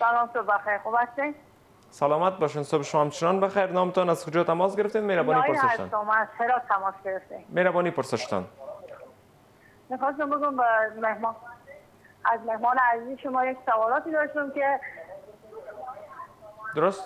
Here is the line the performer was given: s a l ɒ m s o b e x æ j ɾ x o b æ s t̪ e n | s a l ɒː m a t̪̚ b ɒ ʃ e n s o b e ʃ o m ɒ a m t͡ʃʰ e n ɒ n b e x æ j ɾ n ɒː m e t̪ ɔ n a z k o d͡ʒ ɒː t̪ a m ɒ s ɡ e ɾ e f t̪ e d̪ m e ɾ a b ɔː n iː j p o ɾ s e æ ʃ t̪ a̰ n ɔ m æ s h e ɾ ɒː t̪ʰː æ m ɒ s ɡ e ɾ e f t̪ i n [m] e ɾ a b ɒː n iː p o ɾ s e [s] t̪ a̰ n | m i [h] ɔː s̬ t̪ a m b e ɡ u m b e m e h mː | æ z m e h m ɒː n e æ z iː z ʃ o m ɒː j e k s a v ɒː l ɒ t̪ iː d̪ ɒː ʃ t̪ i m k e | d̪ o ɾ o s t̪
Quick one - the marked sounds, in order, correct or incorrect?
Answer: correct, incorrect: ʃ, incorrect: x

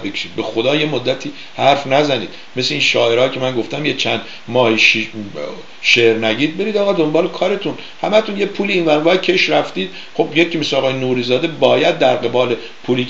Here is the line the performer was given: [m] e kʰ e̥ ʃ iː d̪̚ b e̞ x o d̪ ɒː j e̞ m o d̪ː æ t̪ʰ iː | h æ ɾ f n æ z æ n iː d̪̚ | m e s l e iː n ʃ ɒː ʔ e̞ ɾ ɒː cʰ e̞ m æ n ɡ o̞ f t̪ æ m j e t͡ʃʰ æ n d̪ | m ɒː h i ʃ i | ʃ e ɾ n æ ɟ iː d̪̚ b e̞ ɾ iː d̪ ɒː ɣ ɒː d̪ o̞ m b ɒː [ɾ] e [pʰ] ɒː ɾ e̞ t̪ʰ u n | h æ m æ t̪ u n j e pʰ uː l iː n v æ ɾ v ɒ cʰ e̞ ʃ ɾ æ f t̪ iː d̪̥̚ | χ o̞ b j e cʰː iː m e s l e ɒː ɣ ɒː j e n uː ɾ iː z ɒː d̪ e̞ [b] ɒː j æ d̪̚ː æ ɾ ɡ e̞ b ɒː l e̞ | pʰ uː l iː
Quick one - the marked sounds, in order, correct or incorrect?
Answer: incorrect: b, incorrect: l, incorrect: kʰ, correct

